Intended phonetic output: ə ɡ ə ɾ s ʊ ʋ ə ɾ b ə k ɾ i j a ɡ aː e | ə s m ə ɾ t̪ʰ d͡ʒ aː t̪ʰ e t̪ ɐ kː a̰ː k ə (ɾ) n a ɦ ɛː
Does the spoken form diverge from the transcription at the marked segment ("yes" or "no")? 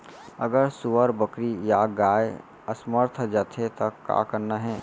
no